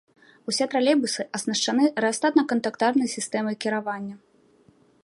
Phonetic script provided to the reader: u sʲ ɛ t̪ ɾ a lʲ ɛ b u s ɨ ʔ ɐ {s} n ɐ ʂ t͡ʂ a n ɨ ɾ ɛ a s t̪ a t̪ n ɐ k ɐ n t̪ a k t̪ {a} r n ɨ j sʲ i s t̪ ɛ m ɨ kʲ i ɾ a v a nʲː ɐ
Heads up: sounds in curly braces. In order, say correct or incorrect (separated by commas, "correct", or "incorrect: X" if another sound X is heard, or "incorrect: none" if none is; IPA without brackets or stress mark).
correct, correct